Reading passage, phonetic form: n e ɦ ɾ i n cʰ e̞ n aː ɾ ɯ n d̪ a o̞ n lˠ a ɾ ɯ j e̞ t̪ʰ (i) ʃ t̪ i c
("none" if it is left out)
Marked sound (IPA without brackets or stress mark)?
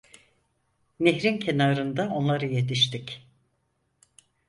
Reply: i